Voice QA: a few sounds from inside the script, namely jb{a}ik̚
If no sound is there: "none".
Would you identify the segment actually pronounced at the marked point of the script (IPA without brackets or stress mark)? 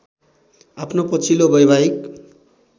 a